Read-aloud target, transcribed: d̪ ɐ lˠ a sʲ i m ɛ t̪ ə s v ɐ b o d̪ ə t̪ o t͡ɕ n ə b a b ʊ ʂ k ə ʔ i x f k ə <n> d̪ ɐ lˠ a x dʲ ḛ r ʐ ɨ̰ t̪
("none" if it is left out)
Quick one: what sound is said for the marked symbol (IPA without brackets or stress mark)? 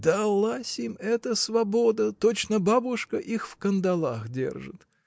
n